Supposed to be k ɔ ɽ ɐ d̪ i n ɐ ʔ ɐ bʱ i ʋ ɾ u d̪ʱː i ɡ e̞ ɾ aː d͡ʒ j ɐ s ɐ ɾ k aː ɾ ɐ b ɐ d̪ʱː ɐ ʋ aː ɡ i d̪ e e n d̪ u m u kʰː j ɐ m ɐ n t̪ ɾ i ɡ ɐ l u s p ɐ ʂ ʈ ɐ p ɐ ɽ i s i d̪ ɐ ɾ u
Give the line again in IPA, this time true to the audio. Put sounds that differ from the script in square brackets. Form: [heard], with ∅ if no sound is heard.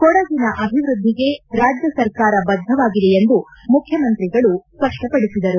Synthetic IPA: k ɔ ɽ ɐ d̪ i n ɐ ʔ ɐ bʱ i ʋ ɾ u d̪ʱː i ɡ e̞ ɾ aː d͡ʒ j ɐ s ɐ ɾ k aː ɾ ɐ b ɐ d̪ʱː ɐ ʋ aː ɡ i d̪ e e n d̪ u m u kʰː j ɐ m ɐ n t̪ ɾ i ɡ ɐ [ɭ] u s p ɐ ʂ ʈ ɐ p ɐ ɽ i s i d̪ ɐ ɾ u

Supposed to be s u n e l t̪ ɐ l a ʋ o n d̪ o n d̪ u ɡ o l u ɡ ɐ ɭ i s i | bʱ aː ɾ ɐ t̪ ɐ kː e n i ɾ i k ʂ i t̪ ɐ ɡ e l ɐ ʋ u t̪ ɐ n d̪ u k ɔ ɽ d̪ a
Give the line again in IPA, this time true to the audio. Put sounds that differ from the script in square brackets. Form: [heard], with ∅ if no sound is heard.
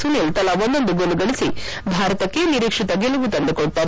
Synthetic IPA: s u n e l t̪ ɐ l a ʋ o n d̪ o n d̪ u ɡ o l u ɡ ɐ ɭ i s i | bʱ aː ɾ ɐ t̪ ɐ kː e n i ɾ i k ʂ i t̪ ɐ ɡ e l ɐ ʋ u t̪ ɐ n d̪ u k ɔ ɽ [t̪] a

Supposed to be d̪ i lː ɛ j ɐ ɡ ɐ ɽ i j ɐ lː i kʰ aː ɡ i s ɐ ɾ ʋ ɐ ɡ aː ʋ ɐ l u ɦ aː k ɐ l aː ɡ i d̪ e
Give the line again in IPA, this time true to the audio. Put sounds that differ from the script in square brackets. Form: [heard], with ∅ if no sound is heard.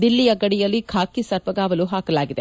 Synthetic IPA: d̪ i lː [i] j ɐ ɡ ɐ ɽ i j ɐ lː i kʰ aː [k] i s ɐ ɾ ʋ ɐ ɡ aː ʋ ɐ l u ɦ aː k ɐ l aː ɡ i d̪ e

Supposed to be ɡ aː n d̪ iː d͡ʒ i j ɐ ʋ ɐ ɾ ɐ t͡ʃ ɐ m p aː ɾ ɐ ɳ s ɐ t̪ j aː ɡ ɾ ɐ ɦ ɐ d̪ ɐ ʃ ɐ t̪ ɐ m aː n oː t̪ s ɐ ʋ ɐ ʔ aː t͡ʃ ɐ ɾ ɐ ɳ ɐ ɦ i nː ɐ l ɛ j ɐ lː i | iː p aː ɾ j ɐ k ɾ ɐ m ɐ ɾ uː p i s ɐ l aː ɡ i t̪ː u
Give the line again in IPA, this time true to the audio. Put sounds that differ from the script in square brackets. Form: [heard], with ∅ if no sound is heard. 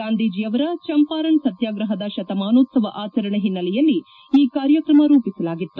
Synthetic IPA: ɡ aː n d̪ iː d͡ʒ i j ɐ ʋ ɐ ɾ ɐ t͡ʃ ɐ m p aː ɾ ɐ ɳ s ɐ t̪ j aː ɡ ɾ ɐ ɦ ɐ d̪ ɐ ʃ ɐ t̪ ɐ m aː n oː t̪ s ɐ ʋ ɐ ʔ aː t͡ʃ ɐ ɾ ɐ ɳ ɐ ɦ i nː ɐ l ɛ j ɐ lː i | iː [k] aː ɾ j ɐ k ɾ ɐ m ɐ ɾ uː p i s ɐ l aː ɡ i t̪ː u

